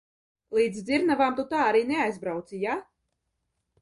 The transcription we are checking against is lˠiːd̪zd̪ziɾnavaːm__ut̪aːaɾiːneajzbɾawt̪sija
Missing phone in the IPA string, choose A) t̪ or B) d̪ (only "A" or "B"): A